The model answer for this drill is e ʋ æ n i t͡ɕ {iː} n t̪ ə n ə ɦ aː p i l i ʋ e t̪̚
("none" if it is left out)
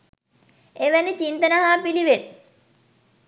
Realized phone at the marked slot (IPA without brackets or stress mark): i